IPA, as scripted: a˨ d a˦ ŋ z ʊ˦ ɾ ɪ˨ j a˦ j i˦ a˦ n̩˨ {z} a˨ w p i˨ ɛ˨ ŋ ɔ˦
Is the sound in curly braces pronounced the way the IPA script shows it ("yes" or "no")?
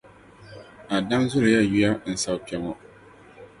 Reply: no